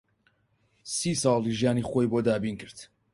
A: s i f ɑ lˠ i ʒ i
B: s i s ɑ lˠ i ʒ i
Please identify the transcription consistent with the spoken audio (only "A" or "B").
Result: B